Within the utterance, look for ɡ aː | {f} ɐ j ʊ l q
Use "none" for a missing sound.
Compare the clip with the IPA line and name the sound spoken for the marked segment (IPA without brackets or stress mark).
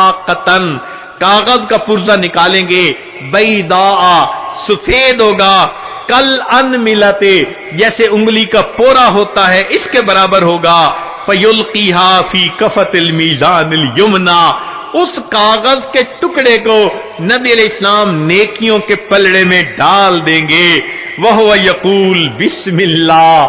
f